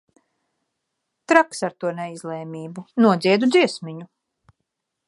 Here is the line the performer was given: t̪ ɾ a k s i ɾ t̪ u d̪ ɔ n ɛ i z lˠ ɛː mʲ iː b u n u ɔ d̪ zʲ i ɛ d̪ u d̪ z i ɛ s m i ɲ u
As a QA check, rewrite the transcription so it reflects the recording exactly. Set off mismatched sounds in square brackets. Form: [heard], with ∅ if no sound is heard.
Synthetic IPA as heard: t̪ ɾ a k s [a] ɾ t̪ u [∅] ɔ n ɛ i z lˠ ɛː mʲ iː b u n u ɔ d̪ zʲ i ɛ d̪ u d̪ z i ɛ s m i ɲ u

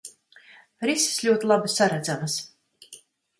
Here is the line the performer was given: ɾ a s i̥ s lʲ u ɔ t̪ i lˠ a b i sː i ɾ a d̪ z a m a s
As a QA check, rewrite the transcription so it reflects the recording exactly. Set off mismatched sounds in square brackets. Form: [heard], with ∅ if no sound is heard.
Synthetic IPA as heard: ɾ [i] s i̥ s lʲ u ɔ t̪ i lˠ a b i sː [a] ɾ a d̪ z a m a s

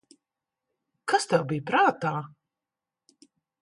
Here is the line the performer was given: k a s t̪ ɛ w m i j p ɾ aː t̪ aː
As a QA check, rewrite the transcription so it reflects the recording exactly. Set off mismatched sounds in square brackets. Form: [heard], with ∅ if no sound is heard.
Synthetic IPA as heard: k a s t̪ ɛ w [b] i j p ɾ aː t̪ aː

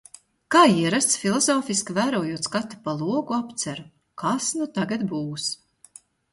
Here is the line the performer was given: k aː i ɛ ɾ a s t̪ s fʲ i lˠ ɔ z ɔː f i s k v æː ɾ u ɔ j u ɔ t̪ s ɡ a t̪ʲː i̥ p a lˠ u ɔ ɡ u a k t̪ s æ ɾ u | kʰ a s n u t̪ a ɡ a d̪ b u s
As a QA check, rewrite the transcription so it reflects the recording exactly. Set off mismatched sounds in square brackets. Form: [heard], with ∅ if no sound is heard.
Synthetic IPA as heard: k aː i ɛ ɾ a s t̪ s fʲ i lˠ ɔ z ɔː f i s k v æː ɾ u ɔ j u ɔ t̪ s [k] a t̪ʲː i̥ p a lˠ u ɔ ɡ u a [p] t̪ s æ ɾ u | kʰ a s n u t̪ a ɡ a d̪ b [uː] s

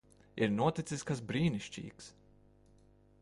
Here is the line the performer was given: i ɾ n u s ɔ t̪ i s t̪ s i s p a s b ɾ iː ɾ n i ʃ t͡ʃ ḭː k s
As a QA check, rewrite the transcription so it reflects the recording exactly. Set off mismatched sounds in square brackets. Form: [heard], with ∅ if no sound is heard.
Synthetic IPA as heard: i ɾ n u [∅] ɔ t̪ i [∅] t̪ s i s [k] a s b ɾ iː [∅] n i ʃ t͡ʃ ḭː k s

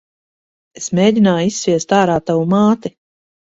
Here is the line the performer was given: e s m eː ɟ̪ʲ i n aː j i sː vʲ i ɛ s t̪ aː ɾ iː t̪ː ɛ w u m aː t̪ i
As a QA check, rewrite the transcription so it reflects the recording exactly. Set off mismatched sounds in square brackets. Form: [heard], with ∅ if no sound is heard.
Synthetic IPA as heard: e s m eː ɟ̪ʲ i n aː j i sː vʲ i ɛ s t̪ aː ɾ [aː] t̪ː [a] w u m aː t̪ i

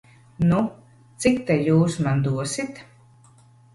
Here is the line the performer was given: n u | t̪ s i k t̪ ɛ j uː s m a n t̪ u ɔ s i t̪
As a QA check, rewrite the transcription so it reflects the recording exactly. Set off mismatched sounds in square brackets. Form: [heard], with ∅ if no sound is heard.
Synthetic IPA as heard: n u | t̪ s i k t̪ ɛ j uː s m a n [d̪] u ɔ s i t̪

